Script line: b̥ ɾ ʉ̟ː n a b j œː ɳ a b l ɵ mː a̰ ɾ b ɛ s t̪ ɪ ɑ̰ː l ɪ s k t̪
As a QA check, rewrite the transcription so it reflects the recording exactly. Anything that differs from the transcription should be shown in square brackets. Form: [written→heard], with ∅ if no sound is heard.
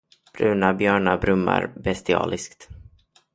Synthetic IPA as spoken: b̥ ɾ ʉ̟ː n a b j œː ɳ a b [l→ɾ] ɵ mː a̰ ɾ b ɛ s t̪ ɪ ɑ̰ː l ɪ s k t̪